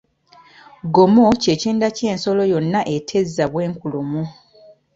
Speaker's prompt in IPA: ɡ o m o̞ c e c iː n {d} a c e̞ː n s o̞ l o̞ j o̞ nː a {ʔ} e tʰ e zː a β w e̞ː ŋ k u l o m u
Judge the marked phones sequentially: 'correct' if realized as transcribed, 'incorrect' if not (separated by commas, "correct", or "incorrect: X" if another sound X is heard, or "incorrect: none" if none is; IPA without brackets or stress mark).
correct, correct